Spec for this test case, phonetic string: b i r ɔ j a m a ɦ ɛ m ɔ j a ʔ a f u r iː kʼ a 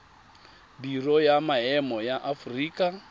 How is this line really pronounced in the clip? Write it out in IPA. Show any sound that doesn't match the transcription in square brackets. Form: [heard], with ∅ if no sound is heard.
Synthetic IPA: b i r ɔ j a m a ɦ ɛ m ɔ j a ʔ a f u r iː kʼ a

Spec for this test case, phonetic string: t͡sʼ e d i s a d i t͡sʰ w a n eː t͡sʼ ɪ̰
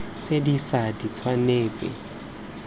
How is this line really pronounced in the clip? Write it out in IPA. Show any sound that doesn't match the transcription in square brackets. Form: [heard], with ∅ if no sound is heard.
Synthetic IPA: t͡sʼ e d i s a d i t͡sʰ w a n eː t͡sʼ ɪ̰

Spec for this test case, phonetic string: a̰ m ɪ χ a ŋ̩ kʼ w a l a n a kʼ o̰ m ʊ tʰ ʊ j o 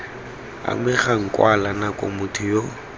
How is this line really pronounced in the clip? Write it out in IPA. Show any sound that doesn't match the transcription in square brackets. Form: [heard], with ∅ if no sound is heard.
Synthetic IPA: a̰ m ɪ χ a ŋ̩ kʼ w a l a n a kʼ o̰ m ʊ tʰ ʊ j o

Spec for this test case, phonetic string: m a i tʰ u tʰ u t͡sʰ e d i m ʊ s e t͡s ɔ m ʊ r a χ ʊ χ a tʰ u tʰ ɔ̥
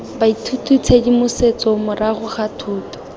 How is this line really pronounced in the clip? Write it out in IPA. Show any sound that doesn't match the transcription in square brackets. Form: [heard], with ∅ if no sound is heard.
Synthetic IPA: [b] a i tʰ u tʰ u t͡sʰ e d i m ʊ s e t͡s ɔ m ʊ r a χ ʊ χ a tʰ [uː] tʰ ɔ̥

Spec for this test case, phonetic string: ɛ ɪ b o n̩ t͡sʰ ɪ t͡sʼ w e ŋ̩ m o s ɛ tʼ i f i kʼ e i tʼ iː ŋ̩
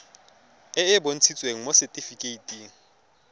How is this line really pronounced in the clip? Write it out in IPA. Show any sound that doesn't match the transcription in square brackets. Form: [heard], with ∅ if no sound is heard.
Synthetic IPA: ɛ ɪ b o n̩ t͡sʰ [i] t͡sʼ w e ŋ̩ m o s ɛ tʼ i f i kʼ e i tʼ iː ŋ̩

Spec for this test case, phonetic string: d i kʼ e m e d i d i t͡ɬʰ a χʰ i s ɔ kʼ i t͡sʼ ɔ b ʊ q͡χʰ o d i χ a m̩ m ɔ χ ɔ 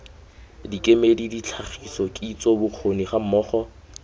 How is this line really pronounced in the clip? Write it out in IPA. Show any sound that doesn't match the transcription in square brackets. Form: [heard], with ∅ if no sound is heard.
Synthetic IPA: d i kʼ e m e d i d i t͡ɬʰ a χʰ i s ɔ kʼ i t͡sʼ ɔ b ʊ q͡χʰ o [n] i χ a m̩ m [ɔː] χ ɔ

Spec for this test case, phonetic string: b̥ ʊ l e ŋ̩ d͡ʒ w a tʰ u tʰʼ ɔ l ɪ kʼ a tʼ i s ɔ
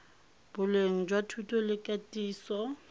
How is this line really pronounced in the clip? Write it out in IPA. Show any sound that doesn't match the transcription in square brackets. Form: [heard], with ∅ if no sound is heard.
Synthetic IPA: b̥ ʊ l e ŋ̩ d͡ʒ w a tʰ u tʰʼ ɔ l ɪ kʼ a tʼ [iː] s ɔ

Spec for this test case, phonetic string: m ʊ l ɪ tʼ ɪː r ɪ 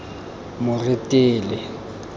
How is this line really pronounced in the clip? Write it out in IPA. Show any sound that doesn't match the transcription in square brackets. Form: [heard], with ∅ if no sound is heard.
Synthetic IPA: m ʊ [r] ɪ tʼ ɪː [l] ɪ

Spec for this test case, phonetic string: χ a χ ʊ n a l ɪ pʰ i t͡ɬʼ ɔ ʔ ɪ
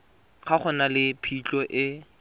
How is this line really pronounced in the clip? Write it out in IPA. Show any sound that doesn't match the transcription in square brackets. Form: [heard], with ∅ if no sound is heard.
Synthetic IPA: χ a χ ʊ n a l ɪ pʰ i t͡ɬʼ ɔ ʔ ɪ

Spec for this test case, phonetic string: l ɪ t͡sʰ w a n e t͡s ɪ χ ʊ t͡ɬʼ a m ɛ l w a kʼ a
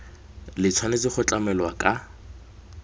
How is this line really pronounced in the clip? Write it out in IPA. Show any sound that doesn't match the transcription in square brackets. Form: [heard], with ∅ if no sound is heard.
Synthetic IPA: l ɪ t͡sʰ w a n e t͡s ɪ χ ʊ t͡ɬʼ a m ɛ l w a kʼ a

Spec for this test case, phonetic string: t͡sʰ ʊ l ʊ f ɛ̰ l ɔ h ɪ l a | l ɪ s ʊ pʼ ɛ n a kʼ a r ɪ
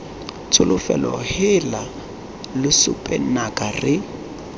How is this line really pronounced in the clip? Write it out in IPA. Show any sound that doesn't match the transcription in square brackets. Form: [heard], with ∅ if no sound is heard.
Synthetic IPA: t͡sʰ ʊ l ʊ f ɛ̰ l ɔ h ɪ l a | l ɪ s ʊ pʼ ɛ n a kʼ a r ɪ

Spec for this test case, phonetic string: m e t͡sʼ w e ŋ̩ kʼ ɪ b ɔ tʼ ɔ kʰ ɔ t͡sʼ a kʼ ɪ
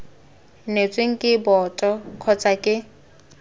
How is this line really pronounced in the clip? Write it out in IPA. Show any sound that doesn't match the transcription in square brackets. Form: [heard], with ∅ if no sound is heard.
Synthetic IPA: [n] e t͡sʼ w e ŋ̩ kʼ ɪ b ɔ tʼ ɔ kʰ ɔ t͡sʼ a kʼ ɪ

